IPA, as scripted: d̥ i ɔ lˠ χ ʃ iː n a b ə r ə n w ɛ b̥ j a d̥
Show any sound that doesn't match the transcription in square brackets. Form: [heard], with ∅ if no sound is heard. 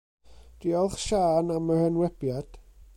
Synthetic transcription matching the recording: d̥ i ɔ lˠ χ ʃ [aː] n a [m] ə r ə n w ɛ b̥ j a d̥